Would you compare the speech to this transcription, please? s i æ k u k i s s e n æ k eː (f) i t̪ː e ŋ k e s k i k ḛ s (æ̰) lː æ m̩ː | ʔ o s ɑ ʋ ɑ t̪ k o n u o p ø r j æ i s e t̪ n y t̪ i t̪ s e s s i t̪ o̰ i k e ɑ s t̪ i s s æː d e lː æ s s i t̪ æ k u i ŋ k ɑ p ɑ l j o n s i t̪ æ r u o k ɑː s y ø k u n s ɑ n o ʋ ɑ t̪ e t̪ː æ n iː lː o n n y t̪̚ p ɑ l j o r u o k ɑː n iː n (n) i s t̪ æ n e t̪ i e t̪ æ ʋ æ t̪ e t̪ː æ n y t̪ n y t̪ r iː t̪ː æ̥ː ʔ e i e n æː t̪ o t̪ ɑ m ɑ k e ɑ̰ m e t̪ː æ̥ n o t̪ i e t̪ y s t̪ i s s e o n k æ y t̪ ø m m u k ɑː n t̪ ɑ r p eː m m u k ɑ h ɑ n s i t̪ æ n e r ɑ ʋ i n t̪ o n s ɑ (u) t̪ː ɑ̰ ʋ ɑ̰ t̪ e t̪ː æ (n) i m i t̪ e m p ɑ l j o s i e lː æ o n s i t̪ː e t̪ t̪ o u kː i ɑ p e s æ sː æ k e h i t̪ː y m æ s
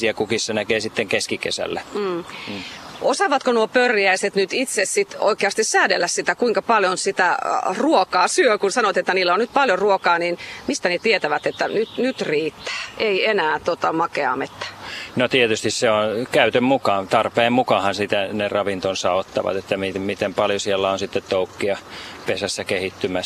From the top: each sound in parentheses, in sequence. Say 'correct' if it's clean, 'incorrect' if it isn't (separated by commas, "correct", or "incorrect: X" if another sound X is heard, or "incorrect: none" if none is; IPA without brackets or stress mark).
incorrect: s, correct, incorrect: m, incorrect: o, incorrect: m